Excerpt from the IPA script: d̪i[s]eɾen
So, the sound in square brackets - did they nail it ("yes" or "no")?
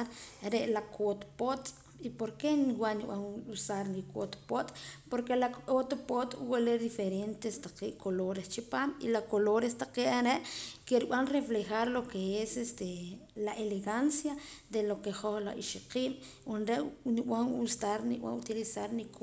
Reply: no